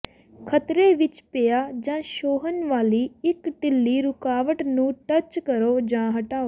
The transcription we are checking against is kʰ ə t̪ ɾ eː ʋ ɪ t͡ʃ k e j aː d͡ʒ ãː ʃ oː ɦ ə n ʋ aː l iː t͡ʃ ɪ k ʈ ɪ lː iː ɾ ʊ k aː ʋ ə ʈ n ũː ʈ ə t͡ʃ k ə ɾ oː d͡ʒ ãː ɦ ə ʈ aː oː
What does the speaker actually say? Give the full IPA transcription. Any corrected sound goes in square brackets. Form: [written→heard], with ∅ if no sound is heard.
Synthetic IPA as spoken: kʰ ə t̪ ɾ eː ʋ ɪ t͡ʃ [k→p] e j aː d͡ʒ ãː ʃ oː ɦ ə n ʋ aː l iː [t͡ʃ→∅] ɪ k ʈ ɪ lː iː ɾ ʊ k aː ʋ ə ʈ n ũː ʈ ə t͡ʃ k ə ɾ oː d͡ʒ ãː ɦ ə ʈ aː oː